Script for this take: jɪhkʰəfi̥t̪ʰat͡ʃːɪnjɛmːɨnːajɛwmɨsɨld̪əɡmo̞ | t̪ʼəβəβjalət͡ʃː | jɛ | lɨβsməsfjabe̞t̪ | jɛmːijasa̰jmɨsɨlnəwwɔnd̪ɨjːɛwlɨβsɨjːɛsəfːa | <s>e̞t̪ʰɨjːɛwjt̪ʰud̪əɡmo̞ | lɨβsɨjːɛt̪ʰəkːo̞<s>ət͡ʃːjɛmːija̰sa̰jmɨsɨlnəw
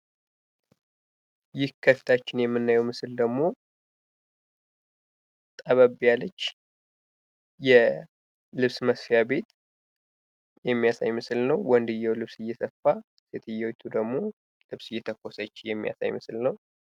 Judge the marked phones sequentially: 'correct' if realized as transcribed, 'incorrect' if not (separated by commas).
correct, correct